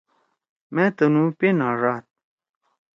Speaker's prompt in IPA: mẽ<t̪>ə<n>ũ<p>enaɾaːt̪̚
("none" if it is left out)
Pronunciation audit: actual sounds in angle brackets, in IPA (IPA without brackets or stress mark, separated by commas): t̪, n, p